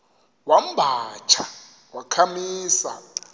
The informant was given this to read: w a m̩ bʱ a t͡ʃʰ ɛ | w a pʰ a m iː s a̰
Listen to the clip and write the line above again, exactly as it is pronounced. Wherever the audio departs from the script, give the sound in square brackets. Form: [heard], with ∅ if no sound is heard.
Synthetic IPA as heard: w a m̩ bʱ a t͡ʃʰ [a] | w a [kʰ] a m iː s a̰